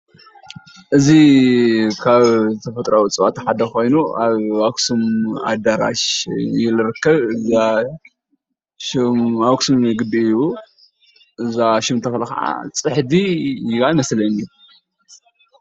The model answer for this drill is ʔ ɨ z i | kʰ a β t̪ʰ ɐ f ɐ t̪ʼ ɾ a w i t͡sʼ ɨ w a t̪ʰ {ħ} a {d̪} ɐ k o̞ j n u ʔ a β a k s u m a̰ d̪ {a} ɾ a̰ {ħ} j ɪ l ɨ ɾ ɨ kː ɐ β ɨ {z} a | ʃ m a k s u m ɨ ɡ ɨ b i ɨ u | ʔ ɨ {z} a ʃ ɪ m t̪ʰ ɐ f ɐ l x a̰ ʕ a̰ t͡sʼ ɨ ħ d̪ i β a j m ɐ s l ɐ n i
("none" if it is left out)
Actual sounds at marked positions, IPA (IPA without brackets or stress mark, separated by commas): ħ, d̪, a, ʃ, z, z